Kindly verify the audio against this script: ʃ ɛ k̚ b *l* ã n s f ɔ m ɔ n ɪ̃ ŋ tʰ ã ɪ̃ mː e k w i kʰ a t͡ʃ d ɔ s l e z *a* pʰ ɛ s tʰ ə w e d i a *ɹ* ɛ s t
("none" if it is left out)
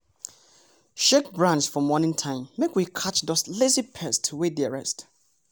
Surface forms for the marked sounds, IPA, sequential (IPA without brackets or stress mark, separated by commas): ɹ, i, ɹ